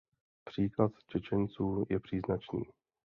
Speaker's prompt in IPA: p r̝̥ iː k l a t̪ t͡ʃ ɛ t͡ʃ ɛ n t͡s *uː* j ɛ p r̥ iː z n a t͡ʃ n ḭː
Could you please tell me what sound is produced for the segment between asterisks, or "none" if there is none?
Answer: uː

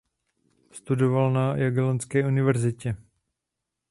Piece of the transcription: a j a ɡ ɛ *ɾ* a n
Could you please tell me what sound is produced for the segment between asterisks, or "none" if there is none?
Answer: l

